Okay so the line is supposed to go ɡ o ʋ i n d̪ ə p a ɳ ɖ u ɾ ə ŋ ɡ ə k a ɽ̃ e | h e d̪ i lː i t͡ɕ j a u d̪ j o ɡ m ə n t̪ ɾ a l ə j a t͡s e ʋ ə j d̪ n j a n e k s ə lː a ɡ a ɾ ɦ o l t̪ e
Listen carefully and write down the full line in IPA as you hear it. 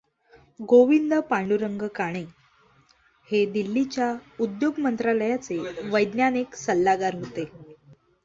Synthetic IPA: ɡ o ʋ i n d̪ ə p a ɳ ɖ u ɾ ə ŋ ɡ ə k a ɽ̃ e | h e d̪ i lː i t͡ɕ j a u d̪ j o ɡ m ə n t̪ ɾ a l ə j a t͡s e ʋ ə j d̪ n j a n e k s ə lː a ɡ a ɾ ɦ o t̪ e